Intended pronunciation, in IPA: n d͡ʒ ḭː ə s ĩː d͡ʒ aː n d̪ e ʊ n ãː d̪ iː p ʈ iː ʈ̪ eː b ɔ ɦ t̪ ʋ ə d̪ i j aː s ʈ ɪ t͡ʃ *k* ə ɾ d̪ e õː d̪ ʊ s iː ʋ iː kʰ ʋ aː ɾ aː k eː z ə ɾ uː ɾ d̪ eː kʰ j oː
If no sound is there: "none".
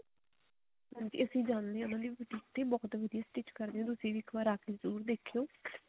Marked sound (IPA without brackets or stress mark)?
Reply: k